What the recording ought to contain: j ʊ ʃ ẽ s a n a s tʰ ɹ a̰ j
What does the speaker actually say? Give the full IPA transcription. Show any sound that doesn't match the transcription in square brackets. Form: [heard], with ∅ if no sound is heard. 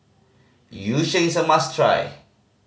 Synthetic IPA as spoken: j [u] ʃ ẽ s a [m] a s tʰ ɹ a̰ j

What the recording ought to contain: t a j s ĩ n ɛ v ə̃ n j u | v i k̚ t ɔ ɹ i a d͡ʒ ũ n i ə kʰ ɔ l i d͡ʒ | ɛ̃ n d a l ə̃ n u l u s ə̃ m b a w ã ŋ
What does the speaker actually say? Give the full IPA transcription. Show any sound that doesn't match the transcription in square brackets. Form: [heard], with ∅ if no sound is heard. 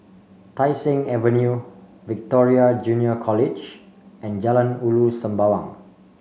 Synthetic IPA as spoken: t a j s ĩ [ŋ] ɛ v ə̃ n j u | v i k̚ t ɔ ɹ i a d͡ʒ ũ n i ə kʰ ɔ l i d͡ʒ | ɛ̃ n [d͡ʒ] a l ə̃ n u l u s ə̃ m b a w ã ŋ

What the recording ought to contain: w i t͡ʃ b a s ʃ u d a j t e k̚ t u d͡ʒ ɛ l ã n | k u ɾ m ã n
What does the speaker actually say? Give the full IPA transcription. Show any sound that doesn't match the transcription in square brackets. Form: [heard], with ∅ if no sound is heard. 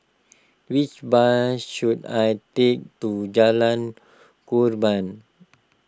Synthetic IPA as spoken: w i t͡ʃ b a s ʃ u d a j t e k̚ t u d͡ʒ [a] l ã n | k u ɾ [b] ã n

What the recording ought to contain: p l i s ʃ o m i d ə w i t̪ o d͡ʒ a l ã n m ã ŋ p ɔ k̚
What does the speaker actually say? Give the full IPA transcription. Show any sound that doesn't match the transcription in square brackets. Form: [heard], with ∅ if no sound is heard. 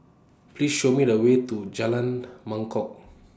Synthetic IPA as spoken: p l i s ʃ o m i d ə w [e] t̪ [u] d͡ʒ a l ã n m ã ŋ [k] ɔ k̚

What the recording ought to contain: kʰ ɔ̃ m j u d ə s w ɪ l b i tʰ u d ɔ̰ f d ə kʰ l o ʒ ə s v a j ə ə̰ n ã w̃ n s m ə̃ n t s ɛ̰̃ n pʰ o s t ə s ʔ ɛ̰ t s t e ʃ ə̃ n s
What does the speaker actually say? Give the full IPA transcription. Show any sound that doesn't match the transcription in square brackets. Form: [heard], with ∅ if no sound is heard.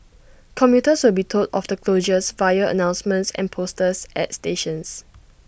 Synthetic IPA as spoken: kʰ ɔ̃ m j u [t] ə s w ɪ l b i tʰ [o] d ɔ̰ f d ə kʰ l o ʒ ə s v a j ə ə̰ n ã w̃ n s m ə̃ n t s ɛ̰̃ n pʰ o s t ə s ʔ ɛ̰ t s t e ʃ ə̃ n s

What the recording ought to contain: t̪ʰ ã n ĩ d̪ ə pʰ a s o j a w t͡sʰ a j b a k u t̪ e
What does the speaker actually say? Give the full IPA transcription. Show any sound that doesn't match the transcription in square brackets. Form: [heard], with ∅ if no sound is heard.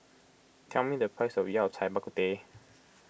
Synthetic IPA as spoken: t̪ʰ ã [m] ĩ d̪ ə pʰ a s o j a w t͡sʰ a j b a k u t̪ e

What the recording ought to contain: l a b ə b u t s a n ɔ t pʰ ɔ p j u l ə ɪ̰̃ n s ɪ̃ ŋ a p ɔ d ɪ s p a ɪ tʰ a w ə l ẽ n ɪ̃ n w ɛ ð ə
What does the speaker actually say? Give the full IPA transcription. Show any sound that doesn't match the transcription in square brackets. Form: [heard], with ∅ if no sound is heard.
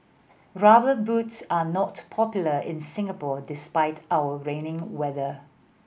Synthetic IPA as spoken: [ɹ] a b ə b u t s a n ɔ t pʰ ɔ p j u l ə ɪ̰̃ n s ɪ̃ ŋ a p ɔ d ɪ s p a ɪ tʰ a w ə [ɹ] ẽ n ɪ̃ [ŋ] w ɛ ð ə

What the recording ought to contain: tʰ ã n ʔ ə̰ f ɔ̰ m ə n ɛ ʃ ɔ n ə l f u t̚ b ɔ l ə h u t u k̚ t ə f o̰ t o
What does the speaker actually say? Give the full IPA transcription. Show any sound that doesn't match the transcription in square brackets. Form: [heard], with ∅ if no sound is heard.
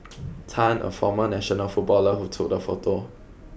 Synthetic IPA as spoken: tʰ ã n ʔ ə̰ f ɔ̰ m ə n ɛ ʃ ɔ n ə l f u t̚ b ɔ l ə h u [tʰ] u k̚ [d] ə f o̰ t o

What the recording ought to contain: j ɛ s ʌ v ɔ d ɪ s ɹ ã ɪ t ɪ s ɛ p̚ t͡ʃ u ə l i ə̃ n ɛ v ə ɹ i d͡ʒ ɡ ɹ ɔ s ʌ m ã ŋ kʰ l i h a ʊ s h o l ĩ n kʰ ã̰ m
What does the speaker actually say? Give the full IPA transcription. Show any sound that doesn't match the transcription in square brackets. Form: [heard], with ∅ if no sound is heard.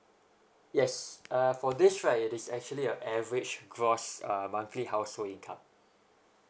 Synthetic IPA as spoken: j ɛ s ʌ [f] ɔ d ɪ s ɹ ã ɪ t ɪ s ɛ [k̚] t͡ʃ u ə l i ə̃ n ɛ v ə ɹ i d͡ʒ ɡ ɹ ɔ s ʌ m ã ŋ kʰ l i h a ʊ s h o l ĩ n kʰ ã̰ m

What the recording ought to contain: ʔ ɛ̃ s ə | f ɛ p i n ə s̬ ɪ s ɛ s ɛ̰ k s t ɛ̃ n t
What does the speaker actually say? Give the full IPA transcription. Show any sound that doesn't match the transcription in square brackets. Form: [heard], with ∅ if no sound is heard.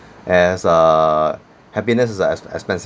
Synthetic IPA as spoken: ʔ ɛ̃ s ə | [h] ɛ p i n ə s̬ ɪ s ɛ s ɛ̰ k s [p] ɛ̃ n [s]

